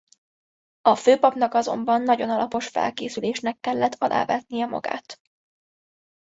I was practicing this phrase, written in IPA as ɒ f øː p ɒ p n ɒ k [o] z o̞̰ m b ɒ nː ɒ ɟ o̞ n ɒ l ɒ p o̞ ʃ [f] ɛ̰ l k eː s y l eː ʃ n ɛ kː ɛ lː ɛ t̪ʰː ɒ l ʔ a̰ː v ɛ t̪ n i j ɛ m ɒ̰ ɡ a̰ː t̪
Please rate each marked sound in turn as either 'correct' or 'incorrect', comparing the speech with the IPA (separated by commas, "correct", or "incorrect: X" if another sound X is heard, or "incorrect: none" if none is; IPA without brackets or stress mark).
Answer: incorrect: ɒ, correct